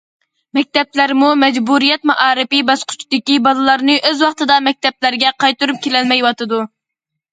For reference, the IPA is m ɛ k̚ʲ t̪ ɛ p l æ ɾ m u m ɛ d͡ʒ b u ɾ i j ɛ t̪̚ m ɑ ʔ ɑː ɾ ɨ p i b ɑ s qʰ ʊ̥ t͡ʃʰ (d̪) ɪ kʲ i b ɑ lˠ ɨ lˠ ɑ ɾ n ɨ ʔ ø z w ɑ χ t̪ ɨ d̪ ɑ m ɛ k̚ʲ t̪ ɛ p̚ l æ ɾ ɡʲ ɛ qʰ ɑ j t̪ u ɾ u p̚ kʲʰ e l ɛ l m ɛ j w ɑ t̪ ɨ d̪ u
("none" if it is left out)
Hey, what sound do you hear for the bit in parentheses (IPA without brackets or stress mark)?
d̪